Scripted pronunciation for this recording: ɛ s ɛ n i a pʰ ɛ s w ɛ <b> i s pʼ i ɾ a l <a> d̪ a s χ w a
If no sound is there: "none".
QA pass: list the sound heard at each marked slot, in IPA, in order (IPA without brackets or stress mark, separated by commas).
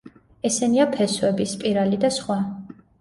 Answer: b, i